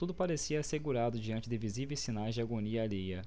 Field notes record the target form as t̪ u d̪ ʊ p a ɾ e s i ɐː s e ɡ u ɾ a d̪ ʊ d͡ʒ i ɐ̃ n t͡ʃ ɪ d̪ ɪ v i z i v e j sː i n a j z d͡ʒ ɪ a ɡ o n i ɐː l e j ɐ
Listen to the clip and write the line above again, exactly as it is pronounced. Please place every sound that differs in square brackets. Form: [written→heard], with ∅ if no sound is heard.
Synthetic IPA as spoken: t̪ u d̪ ʊ p a ɾ e s i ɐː s e ɡ u ɾ a d̪ ʊ d͡ʒ i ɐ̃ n t͡ʃ ɪ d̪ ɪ v i z i v e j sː i n a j z d͡ʒ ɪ a ɡ o n i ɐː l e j ɐ